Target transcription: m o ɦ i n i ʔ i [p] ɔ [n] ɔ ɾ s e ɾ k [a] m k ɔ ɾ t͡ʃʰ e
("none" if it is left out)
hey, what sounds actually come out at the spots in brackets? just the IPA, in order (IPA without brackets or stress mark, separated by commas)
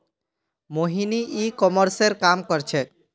k, m, a